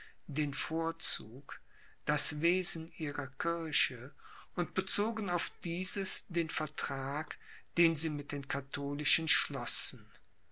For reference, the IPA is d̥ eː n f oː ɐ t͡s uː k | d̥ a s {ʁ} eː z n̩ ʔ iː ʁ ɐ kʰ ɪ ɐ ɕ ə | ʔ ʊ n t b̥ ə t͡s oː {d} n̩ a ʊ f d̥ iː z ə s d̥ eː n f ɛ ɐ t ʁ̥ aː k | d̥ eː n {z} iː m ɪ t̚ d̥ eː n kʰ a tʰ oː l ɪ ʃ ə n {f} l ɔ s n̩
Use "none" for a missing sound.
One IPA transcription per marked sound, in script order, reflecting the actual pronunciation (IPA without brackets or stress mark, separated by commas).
v, ɡ, z, ʃ